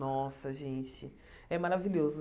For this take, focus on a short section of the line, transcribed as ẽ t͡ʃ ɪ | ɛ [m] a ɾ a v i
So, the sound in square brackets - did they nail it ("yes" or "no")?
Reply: yes